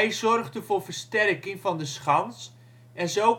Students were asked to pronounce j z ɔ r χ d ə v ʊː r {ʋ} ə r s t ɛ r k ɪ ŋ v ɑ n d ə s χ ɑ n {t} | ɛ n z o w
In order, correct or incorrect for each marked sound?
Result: incorrect: v, incorrect: s

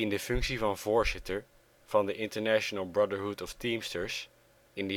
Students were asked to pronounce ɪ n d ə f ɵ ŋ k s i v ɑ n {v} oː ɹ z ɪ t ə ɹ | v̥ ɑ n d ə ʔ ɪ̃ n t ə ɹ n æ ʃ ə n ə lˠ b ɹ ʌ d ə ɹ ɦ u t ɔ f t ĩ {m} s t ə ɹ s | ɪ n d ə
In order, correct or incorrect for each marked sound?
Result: correct, correct

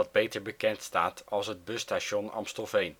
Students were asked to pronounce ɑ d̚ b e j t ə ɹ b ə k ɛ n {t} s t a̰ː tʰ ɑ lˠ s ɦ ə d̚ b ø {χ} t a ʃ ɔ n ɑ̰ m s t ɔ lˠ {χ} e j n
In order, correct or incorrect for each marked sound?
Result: correct, incorrect: s, incorrect: f

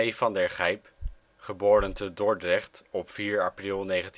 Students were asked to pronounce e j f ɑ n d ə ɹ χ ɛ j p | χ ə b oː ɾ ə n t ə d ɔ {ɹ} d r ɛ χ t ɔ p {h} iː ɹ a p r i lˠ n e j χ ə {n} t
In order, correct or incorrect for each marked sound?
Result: correct, incorrect: f, correct

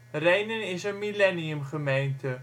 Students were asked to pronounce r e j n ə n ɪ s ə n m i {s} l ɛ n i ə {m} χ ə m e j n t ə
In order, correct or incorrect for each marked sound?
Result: incorrect: none, correct

